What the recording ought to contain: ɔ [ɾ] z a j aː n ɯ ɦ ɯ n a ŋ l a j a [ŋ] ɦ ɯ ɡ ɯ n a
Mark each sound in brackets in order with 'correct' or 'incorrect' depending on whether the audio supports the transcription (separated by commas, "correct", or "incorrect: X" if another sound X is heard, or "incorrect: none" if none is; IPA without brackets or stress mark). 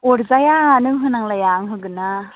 correct, correct